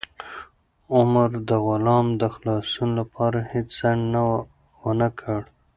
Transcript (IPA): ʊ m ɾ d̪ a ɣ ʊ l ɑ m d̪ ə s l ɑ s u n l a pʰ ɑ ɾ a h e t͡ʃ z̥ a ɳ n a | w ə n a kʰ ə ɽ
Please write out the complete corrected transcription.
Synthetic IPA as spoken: ʊ m ɾ d̪ ə ɣ ʊ l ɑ m d̪ ə x l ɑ s u n l a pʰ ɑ ɾ a h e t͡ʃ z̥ a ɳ n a | w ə n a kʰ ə ɽ